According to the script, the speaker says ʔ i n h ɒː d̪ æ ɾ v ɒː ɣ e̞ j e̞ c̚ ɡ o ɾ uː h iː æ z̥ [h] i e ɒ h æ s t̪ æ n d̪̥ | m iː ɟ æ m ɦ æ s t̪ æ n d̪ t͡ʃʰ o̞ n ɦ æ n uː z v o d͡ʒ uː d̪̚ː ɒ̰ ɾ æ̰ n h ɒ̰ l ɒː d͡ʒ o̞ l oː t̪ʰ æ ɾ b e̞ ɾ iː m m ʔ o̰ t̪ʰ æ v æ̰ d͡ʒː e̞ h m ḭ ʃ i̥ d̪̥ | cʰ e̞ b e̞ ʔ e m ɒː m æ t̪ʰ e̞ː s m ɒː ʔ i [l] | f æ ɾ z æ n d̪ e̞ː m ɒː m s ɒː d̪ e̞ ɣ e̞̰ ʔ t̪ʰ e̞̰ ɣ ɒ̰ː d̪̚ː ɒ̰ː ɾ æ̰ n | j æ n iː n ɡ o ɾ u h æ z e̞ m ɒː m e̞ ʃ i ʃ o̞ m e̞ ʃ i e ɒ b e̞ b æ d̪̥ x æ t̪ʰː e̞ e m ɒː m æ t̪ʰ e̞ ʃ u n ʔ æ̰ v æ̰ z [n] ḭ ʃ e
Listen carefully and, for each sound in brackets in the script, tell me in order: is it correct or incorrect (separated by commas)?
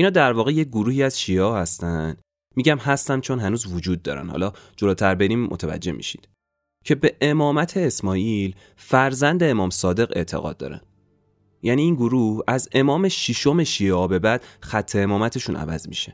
incorrect, correct, incorrect